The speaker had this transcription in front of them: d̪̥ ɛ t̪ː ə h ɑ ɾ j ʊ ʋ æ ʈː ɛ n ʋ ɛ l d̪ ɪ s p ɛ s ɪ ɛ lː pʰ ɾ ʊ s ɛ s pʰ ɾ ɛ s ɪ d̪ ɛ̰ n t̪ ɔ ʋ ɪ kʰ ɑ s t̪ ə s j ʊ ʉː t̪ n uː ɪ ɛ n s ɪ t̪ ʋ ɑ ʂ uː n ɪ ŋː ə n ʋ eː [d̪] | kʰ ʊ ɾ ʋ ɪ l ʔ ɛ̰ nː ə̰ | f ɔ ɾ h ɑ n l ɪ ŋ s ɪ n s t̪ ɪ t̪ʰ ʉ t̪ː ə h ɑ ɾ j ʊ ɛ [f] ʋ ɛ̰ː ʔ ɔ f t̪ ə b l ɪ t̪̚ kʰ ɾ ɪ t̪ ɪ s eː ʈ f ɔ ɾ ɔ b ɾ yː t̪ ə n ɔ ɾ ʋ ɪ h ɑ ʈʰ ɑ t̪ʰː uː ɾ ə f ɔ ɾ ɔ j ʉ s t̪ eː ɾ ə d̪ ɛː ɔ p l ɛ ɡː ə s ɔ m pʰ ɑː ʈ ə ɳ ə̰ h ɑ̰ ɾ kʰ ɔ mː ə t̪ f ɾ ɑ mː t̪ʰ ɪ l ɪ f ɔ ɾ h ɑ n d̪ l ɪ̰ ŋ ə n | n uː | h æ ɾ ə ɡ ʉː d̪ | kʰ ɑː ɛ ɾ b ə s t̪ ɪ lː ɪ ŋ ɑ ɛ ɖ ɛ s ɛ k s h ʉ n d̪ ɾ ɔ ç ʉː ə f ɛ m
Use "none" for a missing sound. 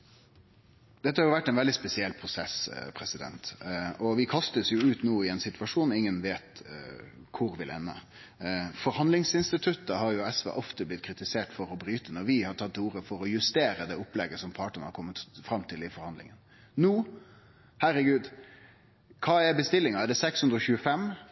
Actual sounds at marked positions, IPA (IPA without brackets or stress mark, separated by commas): t̪, s